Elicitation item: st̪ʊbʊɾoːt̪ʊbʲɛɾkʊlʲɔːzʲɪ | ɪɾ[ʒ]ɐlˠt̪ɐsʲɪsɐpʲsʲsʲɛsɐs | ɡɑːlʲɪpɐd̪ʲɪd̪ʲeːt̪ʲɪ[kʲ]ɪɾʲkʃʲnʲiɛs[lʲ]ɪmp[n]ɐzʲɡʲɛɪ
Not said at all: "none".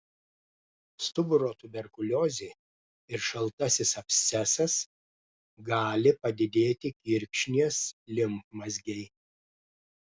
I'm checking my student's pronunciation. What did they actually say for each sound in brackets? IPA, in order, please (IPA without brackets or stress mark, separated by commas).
ʃ, kʲ, lʲ, m